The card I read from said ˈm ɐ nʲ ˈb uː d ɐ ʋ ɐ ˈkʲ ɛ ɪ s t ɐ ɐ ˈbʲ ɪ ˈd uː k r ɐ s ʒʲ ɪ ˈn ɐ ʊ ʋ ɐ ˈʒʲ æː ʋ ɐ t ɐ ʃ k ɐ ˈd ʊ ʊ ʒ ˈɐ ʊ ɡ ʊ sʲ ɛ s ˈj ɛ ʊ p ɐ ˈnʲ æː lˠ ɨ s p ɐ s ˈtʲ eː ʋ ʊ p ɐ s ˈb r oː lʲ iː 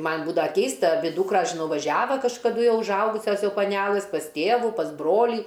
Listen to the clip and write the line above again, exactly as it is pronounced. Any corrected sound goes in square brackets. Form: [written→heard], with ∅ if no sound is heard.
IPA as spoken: ˈm ɐ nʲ ˈb uː d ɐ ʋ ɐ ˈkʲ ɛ ɪ s t ɐ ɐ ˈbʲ ɪ ˈd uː k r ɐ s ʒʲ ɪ ˈn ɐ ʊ ʋ ɐ ˈʒʲ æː ʋ ɐ [t→k] ɐ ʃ k ɐ ˈd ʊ ʊ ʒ ˈɐ ʊ ɡ ʊ sʲ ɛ s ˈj ɛ ʊ p ɐ ˈnʲ æː lˠ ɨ s p ɐ s ˈtʲ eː ʋ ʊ p ɐ s ˈb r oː lʲ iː